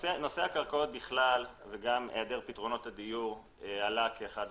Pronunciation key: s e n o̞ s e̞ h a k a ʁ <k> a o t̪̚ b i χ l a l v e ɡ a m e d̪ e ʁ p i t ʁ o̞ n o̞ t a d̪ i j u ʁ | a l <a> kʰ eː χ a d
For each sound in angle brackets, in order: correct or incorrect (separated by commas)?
correct, correct